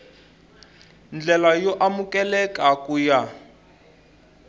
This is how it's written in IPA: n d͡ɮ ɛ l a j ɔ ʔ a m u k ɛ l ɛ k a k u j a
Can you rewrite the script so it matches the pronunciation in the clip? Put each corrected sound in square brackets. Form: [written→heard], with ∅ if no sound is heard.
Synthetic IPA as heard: n d͡ɮ ɛ l a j ɔ ʔ a m u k ɛ l ɛ k a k u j a